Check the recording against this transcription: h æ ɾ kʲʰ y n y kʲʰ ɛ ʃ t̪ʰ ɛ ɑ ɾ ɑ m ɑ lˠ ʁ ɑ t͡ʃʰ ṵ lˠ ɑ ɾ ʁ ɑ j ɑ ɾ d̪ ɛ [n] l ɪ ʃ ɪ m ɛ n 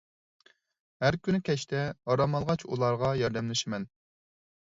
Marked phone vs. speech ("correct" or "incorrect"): incorrect